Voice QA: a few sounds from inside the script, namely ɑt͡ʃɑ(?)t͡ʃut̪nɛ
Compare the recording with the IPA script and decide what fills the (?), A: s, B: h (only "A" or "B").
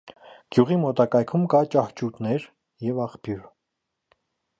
B